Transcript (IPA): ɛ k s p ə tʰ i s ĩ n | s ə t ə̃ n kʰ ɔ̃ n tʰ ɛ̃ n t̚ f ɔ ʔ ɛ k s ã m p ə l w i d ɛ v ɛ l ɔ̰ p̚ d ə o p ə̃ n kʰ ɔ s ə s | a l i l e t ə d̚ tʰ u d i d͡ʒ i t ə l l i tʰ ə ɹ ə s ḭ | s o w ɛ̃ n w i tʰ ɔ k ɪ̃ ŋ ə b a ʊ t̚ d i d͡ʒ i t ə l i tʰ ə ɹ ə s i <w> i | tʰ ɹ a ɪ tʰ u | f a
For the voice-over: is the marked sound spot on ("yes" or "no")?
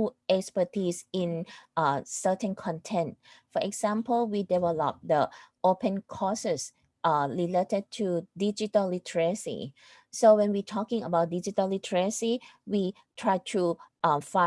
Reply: yes